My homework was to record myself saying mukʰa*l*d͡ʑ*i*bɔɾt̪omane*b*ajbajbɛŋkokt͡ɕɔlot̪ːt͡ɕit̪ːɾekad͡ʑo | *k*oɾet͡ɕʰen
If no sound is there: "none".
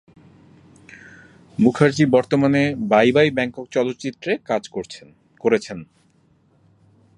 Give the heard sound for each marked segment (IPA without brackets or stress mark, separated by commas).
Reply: ɾ, i, b, k